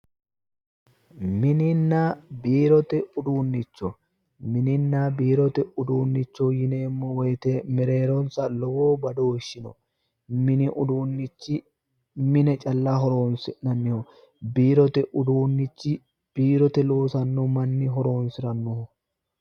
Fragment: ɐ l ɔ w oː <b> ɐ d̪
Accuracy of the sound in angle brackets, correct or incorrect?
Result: correct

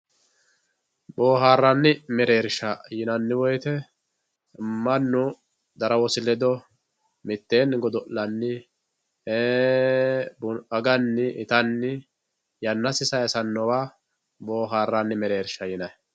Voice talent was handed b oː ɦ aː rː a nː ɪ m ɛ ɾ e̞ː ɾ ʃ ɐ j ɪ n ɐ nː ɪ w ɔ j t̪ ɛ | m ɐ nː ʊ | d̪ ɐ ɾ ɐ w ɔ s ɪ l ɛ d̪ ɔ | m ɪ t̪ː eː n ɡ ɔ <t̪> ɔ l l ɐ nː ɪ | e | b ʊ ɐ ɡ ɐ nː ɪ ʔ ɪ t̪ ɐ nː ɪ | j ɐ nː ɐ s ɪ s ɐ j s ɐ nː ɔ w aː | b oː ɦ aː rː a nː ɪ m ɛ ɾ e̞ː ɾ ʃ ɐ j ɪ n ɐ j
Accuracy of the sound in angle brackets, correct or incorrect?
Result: incorrect: d̪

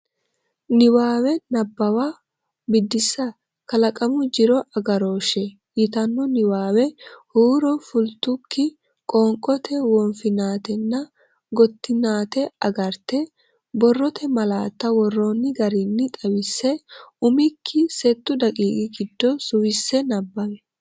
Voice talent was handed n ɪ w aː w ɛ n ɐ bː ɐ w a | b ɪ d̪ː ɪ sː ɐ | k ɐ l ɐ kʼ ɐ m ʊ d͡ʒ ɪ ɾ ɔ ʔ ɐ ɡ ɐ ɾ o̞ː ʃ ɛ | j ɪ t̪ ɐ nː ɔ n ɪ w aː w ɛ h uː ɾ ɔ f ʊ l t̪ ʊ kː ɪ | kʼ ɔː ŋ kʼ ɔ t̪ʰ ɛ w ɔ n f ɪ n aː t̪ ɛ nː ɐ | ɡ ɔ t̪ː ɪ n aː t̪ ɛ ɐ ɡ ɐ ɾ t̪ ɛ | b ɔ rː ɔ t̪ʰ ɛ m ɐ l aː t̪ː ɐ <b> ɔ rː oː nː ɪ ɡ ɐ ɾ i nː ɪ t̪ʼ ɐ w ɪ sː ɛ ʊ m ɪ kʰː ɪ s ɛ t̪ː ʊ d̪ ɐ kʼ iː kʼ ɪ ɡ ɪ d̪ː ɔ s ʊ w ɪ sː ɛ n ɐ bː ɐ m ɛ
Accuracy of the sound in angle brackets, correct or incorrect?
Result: incorrect: w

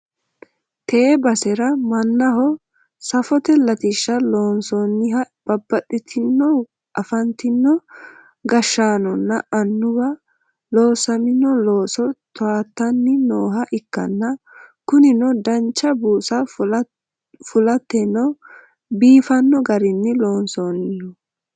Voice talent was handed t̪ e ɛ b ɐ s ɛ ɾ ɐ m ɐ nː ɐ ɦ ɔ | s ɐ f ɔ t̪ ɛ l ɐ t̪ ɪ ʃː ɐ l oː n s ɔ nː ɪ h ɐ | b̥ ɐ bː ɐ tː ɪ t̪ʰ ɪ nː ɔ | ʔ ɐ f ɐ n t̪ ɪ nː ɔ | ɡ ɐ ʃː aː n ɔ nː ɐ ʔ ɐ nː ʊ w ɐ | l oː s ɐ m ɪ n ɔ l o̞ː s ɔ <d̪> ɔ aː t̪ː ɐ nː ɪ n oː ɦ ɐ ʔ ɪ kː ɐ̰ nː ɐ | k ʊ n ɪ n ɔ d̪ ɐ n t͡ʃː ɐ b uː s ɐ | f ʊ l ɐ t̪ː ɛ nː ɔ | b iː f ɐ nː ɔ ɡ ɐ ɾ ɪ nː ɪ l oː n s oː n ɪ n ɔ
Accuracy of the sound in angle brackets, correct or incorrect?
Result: incorrect: t̪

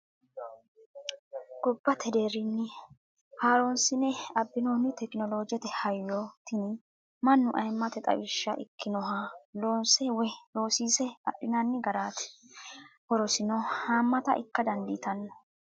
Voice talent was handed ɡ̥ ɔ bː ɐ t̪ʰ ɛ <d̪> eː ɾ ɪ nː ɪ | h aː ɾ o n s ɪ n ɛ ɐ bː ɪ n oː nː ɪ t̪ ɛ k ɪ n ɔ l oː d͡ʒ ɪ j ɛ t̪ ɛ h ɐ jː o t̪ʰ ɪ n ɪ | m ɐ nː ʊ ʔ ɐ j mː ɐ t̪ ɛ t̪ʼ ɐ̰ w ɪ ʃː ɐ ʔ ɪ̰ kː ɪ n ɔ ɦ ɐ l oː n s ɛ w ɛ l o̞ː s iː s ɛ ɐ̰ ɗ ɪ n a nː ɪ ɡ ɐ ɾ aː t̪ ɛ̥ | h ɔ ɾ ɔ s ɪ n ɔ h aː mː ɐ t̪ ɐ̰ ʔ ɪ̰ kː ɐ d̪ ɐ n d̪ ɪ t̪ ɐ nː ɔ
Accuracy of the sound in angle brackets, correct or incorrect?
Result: correct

